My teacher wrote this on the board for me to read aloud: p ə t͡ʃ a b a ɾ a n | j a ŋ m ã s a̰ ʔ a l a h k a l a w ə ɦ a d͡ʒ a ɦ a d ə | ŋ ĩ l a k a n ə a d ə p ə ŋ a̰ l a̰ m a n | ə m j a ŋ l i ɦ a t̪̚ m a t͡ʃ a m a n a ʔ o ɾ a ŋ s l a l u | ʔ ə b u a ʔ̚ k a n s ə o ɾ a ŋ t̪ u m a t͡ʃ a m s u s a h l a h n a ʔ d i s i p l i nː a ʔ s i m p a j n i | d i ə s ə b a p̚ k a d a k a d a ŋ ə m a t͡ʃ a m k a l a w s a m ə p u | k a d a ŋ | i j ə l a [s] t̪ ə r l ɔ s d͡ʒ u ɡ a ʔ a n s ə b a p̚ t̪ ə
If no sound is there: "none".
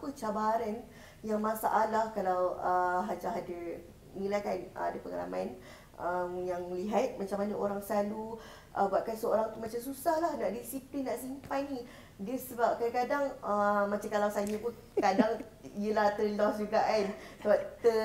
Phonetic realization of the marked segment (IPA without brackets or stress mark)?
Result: h